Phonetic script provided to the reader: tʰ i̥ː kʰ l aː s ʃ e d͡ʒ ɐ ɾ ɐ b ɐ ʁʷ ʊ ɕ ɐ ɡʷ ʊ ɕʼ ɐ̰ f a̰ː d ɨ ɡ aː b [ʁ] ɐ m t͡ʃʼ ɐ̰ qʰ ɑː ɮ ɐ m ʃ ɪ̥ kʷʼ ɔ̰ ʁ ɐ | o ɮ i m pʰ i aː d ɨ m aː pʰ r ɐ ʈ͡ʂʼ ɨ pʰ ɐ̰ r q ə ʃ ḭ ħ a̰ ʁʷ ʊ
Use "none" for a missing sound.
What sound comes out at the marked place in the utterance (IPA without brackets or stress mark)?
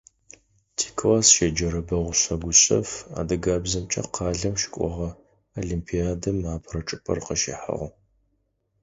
z